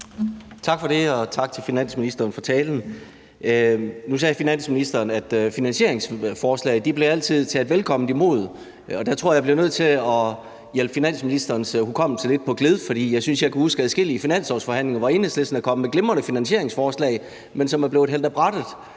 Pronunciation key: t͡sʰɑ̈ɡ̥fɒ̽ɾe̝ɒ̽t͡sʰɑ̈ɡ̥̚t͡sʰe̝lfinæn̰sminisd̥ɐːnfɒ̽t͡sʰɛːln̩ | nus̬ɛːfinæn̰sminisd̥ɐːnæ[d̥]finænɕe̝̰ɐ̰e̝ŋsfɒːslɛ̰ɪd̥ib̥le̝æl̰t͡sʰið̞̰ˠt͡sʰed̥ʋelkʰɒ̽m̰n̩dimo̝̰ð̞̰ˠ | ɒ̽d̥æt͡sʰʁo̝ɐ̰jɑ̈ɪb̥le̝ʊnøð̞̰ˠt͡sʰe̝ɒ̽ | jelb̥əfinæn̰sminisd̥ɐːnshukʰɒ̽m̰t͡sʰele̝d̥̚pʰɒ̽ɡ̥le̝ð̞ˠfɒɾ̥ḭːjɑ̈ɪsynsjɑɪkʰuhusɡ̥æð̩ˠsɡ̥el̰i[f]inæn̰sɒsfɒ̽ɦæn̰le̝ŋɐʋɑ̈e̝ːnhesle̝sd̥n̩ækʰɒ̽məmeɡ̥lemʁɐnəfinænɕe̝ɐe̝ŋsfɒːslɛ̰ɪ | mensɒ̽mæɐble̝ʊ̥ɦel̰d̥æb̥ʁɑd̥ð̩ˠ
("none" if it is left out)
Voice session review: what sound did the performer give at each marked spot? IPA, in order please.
d̥, f

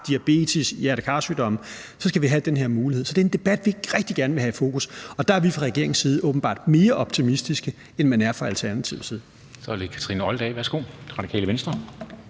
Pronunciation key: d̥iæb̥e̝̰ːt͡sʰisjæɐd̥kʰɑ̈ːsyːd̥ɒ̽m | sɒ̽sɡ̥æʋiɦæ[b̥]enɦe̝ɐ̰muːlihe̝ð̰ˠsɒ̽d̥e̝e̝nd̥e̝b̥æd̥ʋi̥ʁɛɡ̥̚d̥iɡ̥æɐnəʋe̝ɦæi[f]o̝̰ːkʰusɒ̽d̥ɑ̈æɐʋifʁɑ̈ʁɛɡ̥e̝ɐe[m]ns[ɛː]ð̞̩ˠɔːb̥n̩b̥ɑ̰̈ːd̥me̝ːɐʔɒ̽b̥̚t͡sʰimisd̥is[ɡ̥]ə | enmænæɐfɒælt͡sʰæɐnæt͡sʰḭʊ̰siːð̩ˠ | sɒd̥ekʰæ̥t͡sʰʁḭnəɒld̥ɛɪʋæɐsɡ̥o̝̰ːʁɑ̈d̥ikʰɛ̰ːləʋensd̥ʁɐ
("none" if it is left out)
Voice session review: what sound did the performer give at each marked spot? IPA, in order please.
d̥, f, ŋ, iː, ɡ̥

